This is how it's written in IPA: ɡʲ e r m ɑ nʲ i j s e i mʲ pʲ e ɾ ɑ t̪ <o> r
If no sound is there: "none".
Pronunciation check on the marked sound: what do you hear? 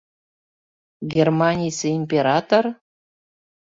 o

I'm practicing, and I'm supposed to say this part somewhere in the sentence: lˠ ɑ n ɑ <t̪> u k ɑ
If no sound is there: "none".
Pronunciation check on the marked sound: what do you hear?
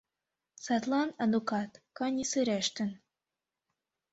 d̪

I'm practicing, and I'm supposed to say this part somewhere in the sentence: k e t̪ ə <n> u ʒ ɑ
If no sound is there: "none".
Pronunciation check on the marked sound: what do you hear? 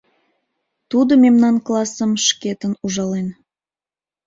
n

